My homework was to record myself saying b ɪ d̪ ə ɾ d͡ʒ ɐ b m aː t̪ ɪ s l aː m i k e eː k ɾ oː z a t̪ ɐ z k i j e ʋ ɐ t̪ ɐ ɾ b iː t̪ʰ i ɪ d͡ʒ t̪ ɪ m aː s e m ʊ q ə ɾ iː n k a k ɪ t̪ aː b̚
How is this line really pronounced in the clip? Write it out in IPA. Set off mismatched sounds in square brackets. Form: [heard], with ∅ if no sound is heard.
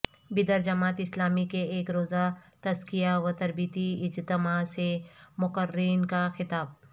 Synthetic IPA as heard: b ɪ d̪ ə ɾ d͡ʒ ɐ [∅] m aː t̪ ɪ s l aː m i k e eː k ɾ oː z a t̪ ɐ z k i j [a] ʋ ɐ t̪ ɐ ɾ b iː [t̪] i ɪ d͡ʒ t̪ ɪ m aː s e m ʊ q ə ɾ iː n k a [x] ɪ t̪ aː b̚